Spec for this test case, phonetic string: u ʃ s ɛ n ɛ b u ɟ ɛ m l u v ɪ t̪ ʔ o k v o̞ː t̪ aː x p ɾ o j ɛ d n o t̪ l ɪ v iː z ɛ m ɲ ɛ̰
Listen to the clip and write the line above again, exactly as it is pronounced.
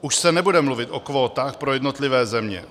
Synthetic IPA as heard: u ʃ s ɛ n ɛ b u d ɛ m l u v ɪ t̪ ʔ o k v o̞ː t̪ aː x p ɾ o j ɛ d n o t̪ l ɪ v ɛː z ɛ m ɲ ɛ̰